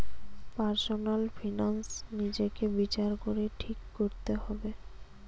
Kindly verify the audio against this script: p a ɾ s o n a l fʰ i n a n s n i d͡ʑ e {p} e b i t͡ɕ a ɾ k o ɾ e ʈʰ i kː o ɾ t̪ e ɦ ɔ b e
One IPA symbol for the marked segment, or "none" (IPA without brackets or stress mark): k